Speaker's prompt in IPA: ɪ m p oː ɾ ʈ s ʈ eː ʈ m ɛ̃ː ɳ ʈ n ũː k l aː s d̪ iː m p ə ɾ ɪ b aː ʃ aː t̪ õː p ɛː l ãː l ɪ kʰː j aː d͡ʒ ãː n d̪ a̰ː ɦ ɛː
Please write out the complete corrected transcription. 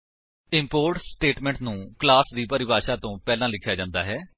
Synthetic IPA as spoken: ɪ m p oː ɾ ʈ s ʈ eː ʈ m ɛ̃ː ɳ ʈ n ũː k l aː s d̪ iː p ə ɾ ɪ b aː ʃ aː t̪ õː p ɛː l ãː l ɪ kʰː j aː d͡ʒ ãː n d̪ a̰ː ɦ ɛː